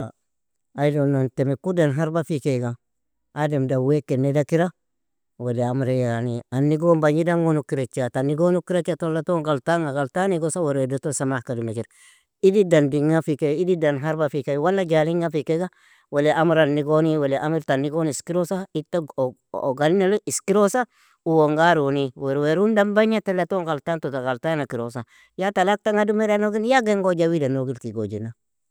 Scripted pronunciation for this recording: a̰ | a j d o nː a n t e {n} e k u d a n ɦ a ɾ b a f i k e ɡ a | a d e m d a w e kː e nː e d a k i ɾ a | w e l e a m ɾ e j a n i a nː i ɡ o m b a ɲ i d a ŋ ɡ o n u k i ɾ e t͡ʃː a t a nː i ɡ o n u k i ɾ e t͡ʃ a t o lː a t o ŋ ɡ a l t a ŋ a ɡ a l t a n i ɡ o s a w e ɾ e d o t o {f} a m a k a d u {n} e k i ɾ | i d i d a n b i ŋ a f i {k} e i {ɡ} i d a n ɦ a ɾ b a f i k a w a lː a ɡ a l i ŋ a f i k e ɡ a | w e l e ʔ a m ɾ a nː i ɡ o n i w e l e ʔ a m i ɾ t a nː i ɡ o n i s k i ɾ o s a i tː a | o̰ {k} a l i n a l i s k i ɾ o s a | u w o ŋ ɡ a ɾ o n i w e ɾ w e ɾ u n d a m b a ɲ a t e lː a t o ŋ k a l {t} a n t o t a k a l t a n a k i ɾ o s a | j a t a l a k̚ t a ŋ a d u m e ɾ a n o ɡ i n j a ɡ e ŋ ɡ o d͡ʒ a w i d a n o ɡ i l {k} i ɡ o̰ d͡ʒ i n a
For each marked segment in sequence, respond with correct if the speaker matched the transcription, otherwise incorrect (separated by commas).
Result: incorrect, incorrect, incorrect, correct, incorrect, incorrect, correct, correct